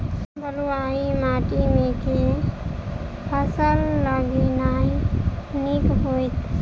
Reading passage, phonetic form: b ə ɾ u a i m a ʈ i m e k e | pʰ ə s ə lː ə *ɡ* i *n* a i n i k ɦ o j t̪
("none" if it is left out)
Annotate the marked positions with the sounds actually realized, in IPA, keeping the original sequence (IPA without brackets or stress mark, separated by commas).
ɡ, n